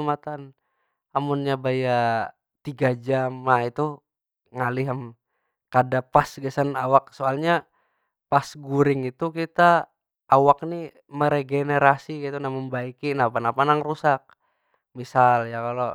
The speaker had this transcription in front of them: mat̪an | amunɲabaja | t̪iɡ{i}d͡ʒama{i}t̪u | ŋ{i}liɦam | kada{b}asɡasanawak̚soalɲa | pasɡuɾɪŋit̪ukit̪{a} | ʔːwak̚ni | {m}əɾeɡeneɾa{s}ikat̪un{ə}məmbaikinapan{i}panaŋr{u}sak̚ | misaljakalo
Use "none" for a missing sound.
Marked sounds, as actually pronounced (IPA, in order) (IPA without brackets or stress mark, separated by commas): a, i, a, p, a, m, s, a, a, u